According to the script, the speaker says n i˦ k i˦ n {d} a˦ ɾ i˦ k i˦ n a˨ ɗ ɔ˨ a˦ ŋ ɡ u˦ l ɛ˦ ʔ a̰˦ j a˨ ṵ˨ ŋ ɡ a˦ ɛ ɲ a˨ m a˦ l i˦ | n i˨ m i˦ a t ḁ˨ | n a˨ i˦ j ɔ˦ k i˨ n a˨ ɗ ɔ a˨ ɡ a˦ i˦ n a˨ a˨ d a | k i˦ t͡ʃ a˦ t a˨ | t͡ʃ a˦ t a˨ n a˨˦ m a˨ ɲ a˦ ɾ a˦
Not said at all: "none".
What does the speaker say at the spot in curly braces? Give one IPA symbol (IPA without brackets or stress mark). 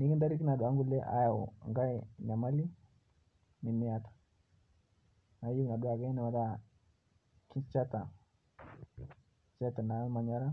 d